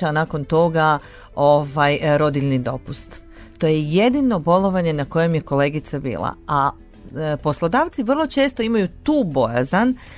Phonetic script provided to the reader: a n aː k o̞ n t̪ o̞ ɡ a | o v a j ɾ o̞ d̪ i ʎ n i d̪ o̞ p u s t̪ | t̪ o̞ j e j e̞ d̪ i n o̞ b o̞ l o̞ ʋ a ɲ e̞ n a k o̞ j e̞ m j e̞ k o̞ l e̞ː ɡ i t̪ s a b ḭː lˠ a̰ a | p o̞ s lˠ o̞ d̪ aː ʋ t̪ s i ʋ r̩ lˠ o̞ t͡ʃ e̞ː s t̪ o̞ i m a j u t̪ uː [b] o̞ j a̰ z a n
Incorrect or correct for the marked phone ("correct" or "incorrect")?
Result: correct